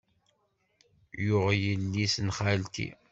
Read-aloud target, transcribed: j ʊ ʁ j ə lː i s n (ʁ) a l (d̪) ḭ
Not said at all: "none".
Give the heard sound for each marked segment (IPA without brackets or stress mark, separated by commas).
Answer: χ, t̪